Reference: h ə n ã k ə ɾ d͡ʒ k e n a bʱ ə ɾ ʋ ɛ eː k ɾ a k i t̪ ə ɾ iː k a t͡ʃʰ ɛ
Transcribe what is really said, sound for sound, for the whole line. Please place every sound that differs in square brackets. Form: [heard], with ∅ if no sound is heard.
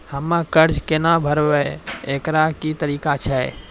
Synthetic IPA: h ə [m] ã k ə ɾ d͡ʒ k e n a bʱ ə ɾ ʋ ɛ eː k ɾ a k i t̪ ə ɾ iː k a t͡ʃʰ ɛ